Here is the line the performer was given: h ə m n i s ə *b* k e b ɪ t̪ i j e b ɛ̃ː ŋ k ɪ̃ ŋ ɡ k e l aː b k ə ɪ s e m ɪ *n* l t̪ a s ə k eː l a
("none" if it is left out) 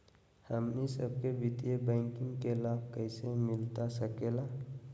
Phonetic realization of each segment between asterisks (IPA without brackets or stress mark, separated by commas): b, none